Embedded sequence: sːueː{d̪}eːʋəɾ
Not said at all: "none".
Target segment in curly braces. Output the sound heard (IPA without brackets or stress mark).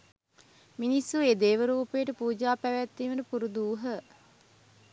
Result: d̪